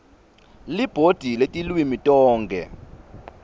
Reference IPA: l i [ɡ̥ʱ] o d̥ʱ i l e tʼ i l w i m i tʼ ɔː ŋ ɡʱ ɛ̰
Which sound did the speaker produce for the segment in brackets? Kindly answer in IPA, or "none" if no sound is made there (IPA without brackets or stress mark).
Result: b̥ʱ